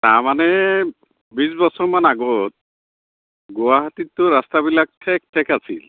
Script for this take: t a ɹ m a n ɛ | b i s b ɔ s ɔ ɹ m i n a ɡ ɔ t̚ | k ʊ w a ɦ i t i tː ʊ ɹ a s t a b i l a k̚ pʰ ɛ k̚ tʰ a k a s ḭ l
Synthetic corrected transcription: t a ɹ m a n ɛ | b i s b ɔ s ɔ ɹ m a n a ɡ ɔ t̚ | ɡ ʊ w a ɦ a t i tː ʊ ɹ a s t a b i l a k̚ tʰ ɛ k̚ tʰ ɛ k a s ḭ l